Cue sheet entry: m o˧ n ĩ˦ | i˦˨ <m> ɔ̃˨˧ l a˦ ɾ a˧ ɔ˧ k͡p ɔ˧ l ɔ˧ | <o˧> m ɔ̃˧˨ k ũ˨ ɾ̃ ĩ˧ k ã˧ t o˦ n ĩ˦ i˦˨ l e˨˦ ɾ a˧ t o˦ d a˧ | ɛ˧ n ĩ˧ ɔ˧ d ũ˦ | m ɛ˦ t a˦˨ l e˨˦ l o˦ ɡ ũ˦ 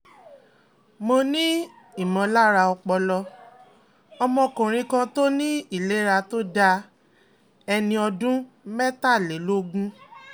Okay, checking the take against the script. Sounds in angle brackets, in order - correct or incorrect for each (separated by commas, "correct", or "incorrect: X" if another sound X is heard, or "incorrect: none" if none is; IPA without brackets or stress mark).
correct, incorrect: ɔ˧